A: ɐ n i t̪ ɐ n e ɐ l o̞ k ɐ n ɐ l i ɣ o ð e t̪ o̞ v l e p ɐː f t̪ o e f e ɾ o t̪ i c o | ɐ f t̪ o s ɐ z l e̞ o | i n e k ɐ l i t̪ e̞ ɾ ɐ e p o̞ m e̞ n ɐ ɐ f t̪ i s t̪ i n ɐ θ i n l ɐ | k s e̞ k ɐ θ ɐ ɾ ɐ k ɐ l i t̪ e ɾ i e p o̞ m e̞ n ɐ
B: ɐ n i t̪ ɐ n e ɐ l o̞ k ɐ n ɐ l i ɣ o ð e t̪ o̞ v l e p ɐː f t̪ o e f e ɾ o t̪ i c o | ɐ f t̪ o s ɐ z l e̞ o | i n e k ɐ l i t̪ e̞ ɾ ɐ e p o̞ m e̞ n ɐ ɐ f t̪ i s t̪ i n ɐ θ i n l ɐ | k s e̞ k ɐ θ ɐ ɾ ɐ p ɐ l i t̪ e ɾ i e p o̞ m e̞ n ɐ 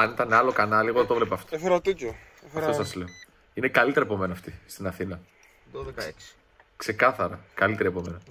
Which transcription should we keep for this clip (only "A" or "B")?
A